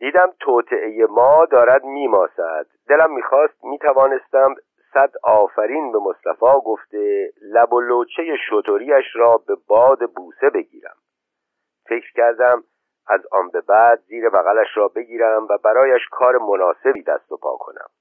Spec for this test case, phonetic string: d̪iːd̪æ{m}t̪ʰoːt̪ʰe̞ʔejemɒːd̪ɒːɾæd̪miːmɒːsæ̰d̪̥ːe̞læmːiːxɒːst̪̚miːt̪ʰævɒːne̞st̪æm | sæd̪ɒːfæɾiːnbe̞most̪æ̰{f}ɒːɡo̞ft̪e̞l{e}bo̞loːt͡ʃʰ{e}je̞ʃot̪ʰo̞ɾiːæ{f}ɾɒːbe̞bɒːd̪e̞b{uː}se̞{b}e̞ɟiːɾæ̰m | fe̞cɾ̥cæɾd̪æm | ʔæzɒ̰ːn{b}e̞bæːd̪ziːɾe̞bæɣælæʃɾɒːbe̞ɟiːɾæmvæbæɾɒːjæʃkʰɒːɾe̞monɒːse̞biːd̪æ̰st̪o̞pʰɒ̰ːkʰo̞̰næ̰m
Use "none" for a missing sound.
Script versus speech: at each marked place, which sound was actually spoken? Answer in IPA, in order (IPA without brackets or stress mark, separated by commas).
m, f, æ, e, ʃ, uː, b, b